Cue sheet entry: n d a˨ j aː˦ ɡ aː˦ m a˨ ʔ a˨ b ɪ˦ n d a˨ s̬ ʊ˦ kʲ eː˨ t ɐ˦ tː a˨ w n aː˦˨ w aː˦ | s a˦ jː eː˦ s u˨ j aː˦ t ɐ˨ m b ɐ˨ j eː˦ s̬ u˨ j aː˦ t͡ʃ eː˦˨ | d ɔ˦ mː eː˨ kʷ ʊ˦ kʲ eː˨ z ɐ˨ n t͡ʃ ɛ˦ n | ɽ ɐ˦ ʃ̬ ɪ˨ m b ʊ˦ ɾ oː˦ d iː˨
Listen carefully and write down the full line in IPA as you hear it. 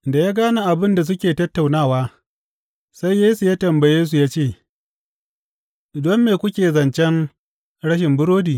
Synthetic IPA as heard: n d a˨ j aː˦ ɡ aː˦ n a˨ ʔ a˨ b ɪ˦ n d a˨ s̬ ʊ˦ kʲ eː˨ t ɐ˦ tː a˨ w n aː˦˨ w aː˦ | s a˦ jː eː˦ s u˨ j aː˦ t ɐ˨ m b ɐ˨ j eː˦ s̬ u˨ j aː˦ t͡ʃ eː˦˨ | d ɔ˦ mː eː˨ kʷ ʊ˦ kʲ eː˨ z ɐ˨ n t͡ʃ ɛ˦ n | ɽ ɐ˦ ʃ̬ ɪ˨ m b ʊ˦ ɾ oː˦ d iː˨